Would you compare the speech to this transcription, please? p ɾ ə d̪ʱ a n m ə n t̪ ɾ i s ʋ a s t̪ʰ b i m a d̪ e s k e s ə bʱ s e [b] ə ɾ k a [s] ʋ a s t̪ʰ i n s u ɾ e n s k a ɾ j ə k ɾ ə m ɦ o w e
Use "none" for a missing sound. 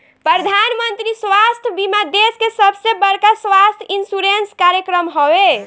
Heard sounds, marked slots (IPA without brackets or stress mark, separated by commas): b, s